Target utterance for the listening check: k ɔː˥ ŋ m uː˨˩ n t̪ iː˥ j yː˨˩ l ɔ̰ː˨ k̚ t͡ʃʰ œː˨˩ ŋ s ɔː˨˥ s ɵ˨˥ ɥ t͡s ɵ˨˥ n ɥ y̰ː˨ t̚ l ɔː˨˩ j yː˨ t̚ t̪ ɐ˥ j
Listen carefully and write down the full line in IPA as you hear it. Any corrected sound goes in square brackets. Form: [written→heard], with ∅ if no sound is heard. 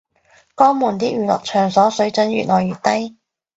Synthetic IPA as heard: k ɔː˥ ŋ m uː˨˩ n t̪ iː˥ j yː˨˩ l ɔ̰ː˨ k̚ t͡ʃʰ œː˨˩ ŋ s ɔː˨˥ s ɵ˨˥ ɥ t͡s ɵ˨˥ n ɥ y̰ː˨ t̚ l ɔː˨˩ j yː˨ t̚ t̪ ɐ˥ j